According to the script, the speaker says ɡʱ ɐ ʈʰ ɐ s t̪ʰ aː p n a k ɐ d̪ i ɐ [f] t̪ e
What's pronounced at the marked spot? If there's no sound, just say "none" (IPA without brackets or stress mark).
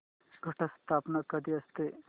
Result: s